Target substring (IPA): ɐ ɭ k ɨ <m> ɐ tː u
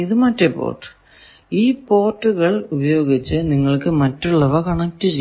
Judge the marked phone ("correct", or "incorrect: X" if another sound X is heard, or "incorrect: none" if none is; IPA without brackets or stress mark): correct